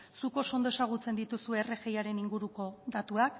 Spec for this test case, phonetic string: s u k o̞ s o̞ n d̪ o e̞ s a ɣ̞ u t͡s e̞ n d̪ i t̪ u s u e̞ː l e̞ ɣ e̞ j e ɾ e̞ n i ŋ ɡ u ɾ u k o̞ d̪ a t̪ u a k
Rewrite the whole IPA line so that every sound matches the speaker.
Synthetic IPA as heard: s u k o̞ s o̞ n d̪ o e̞ s a ɣ̞ u t͡s e̞ n d̪ i t̪ u s u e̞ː r e̞ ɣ e̞ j a ɾ e̞ n i ŋ ɡ u ɾ u k o̞ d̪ a t̪ u a k